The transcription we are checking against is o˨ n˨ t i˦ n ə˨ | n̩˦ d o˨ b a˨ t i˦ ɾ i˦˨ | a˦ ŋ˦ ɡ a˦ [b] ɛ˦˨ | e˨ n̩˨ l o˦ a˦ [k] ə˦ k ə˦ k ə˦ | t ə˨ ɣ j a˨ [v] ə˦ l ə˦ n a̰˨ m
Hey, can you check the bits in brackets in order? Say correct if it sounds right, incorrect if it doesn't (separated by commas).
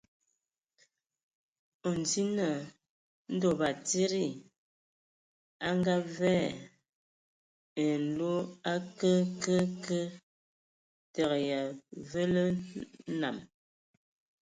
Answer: incorrect, correct, correct